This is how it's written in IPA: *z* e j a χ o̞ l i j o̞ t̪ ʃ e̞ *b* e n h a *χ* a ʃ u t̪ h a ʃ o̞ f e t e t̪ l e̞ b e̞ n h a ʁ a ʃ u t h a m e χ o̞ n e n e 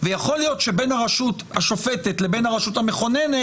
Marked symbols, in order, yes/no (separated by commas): no, yes, no